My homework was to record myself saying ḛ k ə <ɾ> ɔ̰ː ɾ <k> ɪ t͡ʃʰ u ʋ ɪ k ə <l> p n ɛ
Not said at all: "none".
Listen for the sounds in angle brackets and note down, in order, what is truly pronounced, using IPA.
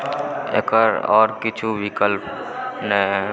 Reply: ɾ, k, l

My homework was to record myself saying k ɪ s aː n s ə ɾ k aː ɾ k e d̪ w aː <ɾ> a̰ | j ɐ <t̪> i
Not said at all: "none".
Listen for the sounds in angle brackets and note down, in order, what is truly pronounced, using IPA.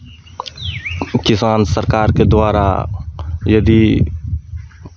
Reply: ɾ, d̪

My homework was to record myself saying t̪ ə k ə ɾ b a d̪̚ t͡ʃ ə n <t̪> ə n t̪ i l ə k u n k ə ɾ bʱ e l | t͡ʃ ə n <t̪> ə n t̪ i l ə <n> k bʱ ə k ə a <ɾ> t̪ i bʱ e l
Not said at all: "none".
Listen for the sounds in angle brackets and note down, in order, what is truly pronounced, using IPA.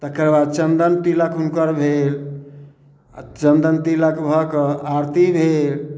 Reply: d̪, d̪, none, ɾ

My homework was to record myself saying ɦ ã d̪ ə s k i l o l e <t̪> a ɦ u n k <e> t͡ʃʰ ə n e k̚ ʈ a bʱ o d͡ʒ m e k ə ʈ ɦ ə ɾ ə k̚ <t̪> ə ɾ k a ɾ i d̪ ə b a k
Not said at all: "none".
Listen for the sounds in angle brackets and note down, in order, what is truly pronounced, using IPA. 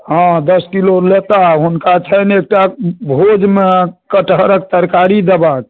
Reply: t̪, a, t̪

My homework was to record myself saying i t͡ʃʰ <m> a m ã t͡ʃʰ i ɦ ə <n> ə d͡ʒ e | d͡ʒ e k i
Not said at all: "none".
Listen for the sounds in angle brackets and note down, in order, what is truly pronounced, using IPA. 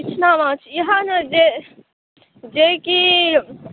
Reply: n, n

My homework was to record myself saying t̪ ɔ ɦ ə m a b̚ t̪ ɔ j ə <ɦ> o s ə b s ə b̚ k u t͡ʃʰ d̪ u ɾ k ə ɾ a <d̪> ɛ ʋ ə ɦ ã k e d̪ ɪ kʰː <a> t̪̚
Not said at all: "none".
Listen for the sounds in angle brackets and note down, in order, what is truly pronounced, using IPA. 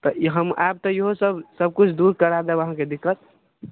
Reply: ɦ, d̪, ə

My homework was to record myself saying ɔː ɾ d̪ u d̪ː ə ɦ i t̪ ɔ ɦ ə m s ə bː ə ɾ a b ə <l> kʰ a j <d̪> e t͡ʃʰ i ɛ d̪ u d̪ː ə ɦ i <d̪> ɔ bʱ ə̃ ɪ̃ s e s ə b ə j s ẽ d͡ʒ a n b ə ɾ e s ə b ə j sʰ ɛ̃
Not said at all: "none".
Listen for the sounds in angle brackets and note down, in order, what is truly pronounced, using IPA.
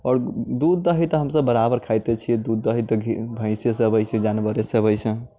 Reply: ɾ, t̪, t̪

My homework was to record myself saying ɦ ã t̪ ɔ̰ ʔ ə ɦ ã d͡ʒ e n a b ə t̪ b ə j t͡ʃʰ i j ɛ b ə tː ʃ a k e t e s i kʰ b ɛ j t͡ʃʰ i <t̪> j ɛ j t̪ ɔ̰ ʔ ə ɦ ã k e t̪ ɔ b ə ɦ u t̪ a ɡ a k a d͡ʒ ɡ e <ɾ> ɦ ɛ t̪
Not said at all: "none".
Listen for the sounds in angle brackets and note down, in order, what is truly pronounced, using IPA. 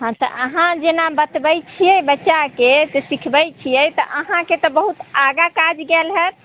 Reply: none, l

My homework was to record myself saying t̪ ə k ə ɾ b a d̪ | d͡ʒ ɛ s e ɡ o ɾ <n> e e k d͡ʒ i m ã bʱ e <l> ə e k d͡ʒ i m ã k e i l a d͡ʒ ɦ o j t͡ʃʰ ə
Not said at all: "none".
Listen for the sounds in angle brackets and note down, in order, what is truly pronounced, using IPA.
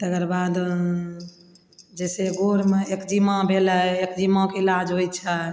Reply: m, l

